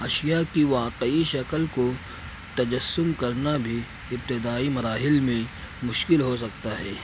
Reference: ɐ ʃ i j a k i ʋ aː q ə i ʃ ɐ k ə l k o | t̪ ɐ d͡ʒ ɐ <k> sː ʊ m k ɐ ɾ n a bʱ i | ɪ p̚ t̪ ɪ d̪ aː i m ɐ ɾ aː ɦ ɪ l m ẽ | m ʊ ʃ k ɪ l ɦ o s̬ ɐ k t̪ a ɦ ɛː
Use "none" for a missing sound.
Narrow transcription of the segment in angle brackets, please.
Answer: none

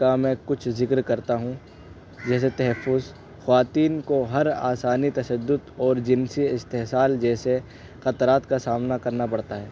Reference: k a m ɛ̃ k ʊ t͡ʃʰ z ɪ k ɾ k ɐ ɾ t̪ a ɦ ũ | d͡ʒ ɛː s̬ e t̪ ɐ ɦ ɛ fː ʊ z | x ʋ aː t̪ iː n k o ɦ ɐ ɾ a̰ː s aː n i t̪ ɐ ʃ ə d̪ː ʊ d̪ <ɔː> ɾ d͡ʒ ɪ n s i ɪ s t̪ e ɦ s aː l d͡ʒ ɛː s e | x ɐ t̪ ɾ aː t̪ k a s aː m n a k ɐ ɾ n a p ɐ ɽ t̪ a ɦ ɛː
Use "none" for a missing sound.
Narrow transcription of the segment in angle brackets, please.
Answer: ɔː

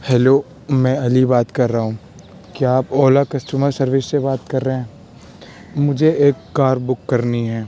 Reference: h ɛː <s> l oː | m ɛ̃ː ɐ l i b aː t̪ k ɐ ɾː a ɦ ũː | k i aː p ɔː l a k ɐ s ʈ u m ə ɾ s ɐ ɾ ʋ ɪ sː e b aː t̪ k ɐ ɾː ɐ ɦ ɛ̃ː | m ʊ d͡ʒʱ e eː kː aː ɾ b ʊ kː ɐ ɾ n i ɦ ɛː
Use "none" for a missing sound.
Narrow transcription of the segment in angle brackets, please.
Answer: none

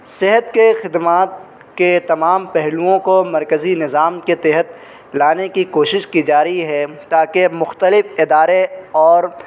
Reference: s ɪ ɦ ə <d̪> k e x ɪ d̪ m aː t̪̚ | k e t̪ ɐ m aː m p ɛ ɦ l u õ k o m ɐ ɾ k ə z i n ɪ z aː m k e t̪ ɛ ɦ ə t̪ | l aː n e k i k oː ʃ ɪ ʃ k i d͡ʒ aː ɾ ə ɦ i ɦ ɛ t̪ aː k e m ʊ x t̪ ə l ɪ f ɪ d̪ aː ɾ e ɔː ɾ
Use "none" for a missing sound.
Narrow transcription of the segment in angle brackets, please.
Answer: t̪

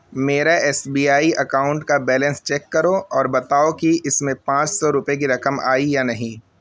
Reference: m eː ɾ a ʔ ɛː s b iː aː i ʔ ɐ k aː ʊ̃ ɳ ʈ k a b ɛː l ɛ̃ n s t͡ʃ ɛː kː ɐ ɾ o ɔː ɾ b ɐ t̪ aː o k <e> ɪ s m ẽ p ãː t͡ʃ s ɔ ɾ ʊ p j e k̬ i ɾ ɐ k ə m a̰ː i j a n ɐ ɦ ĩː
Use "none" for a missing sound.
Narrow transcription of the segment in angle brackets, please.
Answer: i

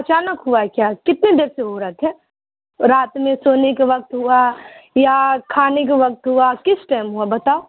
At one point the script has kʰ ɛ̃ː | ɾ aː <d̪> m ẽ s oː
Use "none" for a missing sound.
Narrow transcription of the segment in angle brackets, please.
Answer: t̪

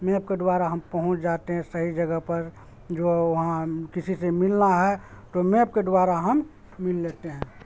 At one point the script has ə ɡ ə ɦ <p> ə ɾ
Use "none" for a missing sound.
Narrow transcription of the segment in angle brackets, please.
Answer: p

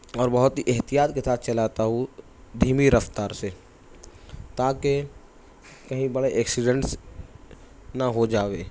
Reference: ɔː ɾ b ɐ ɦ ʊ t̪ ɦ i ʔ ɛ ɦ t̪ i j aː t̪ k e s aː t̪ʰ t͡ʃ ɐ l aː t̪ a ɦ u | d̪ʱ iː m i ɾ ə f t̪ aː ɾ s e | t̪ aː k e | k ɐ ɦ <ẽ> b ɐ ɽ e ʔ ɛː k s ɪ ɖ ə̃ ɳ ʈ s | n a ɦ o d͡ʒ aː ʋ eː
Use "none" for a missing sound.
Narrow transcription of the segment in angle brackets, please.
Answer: ĩ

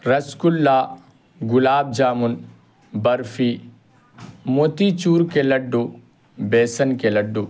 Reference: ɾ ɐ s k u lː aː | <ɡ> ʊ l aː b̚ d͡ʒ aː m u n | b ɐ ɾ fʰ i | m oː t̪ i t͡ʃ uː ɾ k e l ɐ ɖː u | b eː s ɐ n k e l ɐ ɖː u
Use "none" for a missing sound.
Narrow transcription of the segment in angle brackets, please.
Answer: ɡ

